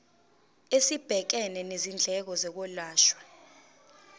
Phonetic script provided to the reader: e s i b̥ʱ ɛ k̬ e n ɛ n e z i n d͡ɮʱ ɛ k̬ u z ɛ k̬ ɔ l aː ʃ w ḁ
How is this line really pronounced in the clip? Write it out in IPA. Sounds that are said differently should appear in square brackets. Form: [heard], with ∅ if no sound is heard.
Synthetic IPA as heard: e s i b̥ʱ ɛ k̬ [ɛ] n ɛ n e z i n d͡ɮʱ ɛ k̬ [ɔ] z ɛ k̬ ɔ l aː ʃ w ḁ